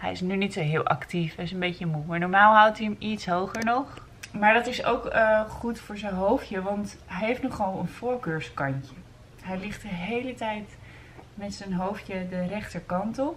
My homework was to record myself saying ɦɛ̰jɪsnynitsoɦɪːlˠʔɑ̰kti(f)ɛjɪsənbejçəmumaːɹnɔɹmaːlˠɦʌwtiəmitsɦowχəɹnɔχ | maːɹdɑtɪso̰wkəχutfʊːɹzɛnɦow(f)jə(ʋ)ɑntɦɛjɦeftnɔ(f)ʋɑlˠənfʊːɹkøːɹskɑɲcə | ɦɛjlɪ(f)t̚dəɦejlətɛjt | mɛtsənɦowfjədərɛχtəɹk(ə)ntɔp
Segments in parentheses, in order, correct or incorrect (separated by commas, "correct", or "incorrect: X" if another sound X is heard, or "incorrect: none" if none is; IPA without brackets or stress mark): correct, correct, correct, incorrect: χ, incorrect: χ, incorrect: ɑ